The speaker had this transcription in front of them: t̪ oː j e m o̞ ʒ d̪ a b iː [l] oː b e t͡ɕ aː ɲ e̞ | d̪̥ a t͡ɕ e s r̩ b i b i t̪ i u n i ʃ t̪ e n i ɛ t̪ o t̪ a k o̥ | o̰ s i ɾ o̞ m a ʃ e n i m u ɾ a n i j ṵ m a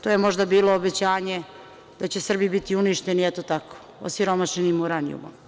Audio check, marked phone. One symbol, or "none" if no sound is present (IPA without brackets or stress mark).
l